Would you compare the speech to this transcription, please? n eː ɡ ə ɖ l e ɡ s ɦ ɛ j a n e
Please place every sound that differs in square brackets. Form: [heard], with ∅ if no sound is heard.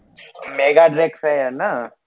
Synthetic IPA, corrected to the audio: [m] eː ɡ [a] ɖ [ɾ] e [k] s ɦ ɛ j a n [a]